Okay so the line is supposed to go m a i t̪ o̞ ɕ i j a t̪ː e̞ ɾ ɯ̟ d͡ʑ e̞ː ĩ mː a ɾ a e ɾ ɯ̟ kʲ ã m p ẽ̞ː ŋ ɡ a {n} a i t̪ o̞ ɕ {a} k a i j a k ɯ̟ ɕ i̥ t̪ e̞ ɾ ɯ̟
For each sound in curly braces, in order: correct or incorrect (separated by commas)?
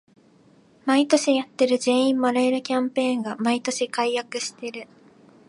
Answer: incorrect, incorrect